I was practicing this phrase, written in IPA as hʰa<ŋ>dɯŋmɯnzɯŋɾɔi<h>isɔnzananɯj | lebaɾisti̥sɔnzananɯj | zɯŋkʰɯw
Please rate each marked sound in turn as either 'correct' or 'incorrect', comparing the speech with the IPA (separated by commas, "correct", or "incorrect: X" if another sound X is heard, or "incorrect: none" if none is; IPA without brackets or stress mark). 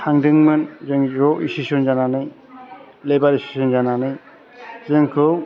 correct, incorrect: s